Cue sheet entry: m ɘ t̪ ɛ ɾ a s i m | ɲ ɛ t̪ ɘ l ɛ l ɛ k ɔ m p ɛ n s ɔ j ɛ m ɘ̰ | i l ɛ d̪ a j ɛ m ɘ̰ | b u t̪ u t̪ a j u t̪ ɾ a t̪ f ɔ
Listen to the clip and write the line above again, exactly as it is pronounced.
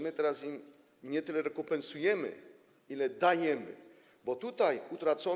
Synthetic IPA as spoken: m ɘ t̪ ɛ ɾ a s i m | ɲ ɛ t̪ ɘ l ɛ ɾ ɛ k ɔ m p ɛ n s u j ɛ m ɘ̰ | i l ɛ d̪ a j ɛ m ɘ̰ | b ɔ t̪ u t̪ a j u t̪ ɾ a t̪ s ɔ

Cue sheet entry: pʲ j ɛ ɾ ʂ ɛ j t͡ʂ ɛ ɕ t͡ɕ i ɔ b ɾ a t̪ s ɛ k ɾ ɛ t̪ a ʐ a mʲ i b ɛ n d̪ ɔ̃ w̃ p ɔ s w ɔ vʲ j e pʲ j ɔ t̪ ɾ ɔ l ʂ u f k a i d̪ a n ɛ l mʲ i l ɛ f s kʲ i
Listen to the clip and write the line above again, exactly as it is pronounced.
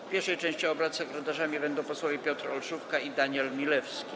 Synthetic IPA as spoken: pʲ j ɛ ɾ ʂ ɛ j t͡ʂ ɛ̃ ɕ t͡ɕ i ɔ b ɾ a t̪ s ɛ k ɾ ɛ t̪ a ʐ a mʲ i b ɛ n d̪ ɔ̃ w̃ p ɔ s w ɔ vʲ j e pʲ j ɔ t̪ ɾ ɔ l ʂ u f k a i d̪ a ɲ ɛ l mʲ i l ɛ f s kʲ i

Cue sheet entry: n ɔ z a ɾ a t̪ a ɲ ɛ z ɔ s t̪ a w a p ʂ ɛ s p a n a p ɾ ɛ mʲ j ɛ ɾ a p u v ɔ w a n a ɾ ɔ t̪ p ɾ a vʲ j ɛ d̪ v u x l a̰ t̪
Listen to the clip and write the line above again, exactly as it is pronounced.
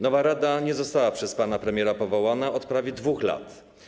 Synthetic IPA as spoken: n ɔ v a ɾ a d̪ a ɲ ɛ z ɔ s t̪ a w a p ʂ ɛ s p a n a p ɾ ɛ mʲ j ɛ ɾ a p ɔ v ɔ w a n a ɔ t̪ p ɾ a vʲ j ɛ d̪ v u x l a̰ t̪

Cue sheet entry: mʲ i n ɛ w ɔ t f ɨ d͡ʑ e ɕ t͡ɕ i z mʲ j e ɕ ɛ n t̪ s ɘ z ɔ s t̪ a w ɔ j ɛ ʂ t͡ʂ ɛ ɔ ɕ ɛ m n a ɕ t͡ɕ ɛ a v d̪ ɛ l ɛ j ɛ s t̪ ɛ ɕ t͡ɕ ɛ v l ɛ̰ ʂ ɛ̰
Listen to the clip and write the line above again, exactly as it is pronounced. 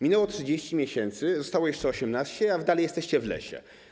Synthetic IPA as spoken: mʲ i n ɛ w ɔ t ʂ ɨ d͡ʑ e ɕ t͡ɕ i mʲ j e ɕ ɛ n t̪ s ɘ z ɔ s t̪ a w ɔ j ɛ ʂ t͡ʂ ɛ ɔ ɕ ɛ m n a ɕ t͡ɕ ɛ a v d̪ a l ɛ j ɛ s t̪ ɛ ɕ t͡ɕ ɛ v l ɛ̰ ɕ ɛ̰

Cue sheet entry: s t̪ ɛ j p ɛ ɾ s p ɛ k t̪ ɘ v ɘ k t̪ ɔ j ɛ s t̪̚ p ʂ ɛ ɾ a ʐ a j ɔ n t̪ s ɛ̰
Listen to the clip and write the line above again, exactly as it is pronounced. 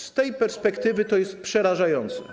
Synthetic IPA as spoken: s t̪ ɛ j p ɛ ɾ s p ɛ k t̪ ɘ v ɘ t̪ ɔ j ɛ s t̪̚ p ʂ ɛ ɾ a ʐ a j ɔ n t̪ s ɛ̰

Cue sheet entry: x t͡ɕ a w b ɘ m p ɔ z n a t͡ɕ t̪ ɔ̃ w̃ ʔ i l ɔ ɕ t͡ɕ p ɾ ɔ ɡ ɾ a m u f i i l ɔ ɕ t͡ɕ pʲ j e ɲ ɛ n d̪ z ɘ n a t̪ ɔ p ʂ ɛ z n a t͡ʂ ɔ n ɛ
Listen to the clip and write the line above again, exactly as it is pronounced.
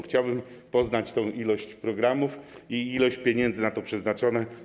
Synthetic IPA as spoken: x t͡ɕ a w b ɘ m p ɔ z n a t͡ɕ t̪ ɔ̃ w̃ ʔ i l ɔ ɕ t͡ɕ p ɾ ɔ ɡ ɾ a m u f i i l ɔ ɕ t͡ɕ pʲ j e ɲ ɛ n d̪ z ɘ n a t̪ ɔ p ʂ ɛ z n a t͡ʂ ɔ n ɛ

